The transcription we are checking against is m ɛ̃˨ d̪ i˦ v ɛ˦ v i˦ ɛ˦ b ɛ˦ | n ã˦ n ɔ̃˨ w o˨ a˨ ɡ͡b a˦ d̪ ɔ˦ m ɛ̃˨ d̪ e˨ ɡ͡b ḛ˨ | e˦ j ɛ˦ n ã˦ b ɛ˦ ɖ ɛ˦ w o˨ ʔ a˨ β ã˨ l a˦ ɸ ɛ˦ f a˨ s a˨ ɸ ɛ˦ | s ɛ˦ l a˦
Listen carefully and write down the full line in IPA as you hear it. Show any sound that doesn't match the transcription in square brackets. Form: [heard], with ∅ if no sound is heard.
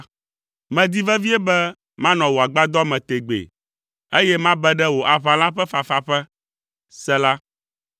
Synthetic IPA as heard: m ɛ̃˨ d̪ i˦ v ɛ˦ v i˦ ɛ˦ b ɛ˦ | [m] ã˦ n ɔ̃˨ w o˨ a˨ ɡ͡b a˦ d̪ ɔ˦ m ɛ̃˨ [t̪] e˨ ɡ͡b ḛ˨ | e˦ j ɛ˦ [m] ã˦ b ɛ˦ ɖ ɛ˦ w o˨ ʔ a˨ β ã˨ l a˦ ɸ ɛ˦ f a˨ [f] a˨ ɸ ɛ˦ | s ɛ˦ l a˦